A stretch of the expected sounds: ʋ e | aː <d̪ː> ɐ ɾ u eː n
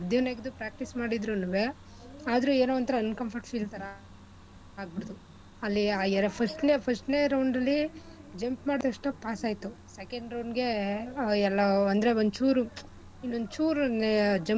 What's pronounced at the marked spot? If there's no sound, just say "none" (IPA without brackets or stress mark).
d̪